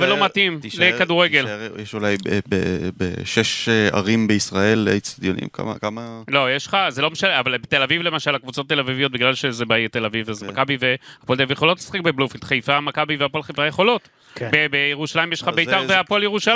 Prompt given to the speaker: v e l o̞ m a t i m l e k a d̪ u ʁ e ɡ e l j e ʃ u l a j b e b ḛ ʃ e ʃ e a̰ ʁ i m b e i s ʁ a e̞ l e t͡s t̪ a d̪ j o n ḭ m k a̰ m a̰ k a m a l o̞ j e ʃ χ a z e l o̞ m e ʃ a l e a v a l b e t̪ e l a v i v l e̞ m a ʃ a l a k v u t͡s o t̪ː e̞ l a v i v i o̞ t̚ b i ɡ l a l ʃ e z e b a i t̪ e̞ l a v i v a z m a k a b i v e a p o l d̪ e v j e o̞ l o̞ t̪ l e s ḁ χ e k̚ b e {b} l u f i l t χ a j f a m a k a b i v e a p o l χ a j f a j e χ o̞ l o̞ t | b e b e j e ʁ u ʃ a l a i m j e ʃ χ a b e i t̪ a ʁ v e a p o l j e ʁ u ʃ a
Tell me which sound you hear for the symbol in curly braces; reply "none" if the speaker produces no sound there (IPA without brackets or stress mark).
b